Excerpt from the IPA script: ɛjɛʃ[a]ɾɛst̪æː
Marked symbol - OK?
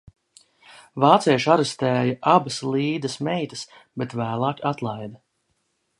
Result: yes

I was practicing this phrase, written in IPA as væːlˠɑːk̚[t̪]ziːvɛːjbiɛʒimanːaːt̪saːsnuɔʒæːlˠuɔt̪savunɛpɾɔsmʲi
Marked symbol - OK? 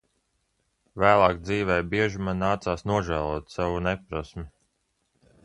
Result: no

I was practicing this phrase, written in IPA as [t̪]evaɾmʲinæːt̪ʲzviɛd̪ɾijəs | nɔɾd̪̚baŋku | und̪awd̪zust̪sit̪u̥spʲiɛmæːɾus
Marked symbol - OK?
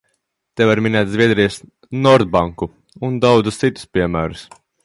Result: yes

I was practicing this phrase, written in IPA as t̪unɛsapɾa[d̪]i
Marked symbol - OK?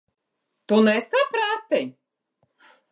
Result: no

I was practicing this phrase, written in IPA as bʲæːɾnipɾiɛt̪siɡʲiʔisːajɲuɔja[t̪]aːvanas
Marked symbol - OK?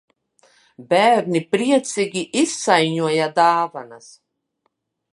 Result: no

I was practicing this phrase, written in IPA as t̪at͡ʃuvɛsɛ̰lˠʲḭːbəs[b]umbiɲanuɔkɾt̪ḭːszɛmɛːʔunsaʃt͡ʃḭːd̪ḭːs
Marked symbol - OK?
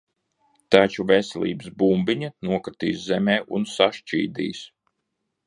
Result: yes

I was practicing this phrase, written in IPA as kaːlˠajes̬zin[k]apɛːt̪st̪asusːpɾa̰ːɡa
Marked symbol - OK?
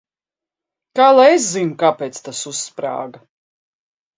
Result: yes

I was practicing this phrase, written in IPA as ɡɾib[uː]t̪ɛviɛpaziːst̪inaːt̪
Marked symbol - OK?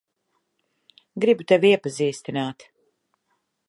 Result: no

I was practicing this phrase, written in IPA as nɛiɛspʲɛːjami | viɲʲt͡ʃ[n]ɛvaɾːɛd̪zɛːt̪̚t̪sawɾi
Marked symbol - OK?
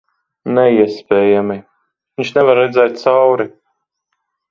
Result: yes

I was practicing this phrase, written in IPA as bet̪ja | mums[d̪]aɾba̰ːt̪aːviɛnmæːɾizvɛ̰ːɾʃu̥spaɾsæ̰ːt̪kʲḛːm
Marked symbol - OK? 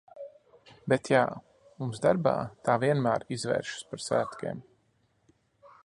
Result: yes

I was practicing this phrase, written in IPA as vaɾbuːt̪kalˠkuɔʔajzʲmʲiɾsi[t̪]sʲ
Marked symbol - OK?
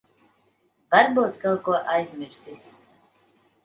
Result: no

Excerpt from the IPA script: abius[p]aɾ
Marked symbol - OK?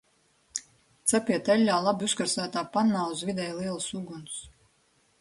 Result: no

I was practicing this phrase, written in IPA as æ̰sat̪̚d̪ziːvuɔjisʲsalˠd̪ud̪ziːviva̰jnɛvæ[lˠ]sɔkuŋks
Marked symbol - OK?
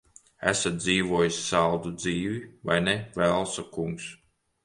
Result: yes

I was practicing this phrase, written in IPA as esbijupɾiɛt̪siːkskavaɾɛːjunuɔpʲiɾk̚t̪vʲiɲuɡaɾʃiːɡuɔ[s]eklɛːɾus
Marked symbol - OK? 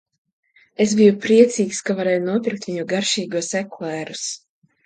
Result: yes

